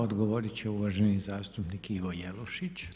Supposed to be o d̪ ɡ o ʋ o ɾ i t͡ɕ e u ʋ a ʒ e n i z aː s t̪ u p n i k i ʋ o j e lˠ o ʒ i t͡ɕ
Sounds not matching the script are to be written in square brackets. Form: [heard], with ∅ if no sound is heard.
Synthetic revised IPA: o d̪ ɡ o ʋ o ɾ i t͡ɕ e u ʋ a ʒ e n i z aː s t̪ u p n i k i ʋ o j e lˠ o [ʃ] i t͡ɕ

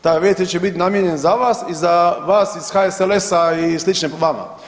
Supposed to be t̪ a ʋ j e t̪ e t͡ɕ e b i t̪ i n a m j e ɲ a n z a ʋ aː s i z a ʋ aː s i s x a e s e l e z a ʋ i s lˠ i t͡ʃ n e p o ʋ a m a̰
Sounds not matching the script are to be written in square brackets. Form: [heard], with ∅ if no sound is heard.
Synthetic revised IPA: t̪ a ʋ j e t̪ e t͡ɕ e b i t̪ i n a m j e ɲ [e] n z a ʋ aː s i z a ʋ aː s i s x a e s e l e [s] a [∅] i s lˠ i t͡ʃ n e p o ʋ a m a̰

